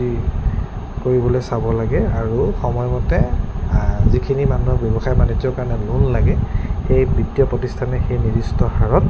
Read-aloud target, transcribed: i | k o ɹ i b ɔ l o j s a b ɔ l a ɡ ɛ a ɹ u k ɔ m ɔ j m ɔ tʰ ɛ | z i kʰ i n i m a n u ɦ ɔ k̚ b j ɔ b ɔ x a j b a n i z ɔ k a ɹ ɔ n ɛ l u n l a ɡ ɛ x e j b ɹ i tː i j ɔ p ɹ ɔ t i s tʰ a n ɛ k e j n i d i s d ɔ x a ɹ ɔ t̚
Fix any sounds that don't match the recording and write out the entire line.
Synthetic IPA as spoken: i | k o ɹ i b ɔ l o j s a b ɔ l a ɡ ɛ a ɹ u x ɔ m ɔ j m ɔ t ɛ | z i kʰ i n i m a n u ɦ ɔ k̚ b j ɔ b ɔ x a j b a n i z ɔ k a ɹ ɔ n ɛ l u n l a ɡ ɛ x e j b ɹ i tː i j ɔ p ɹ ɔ t i s tʰ a n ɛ x e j n i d i s t ɔ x a ɹ ɔ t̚